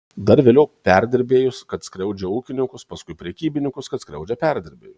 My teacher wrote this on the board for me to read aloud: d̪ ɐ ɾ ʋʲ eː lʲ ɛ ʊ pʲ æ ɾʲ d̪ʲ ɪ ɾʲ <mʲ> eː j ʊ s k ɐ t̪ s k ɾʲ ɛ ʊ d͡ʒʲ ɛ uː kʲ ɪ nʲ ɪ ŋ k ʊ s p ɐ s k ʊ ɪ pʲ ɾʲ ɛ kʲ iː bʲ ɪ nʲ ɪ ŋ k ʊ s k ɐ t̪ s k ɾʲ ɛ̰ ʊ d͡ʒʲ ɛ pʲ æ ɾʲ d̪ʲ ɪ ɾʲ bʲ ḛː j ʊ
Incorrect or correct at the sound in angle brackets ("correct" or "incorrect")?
incorrect